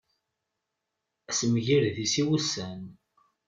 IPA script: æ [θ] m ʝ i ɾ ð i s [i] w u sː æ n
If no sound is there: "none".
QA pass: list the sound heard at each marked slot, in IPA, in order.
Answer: s, i

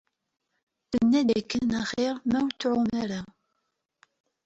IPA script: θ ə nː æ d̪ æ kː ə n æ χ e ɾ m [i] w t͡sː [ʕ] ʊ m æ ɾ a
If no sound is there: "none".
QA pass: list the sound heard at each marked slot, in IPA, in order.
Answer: æ, ʕ

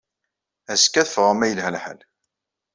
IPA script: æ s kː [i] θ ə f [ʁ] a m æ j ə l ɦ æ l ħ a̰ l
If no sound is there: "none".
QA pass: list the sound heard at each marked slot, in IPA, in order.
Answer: æ, ʁ

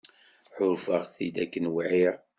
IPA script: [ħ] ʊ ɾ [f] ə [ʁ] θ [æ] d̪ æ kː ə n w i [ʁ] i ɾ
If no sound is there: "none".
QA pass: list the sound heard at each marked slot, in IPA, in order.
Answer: ħ, f, ʁ, i, ʕ

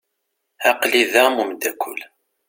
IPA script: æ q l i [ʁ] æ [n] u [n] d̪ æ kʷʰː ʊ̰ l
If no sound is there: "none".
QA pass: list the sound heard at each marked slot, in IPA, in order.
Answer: ð, m, m

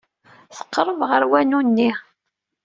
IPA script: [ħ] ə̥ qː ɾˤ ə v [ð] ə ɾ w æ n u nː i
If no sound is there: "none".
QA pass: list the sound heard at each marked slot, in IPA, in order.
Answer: θ, ʁ

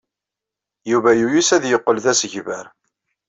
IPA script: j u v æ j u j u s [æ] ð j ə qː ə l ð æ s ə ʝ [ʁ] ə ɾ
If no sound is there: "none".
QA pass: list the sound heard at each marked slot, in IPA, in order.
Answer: æ, v

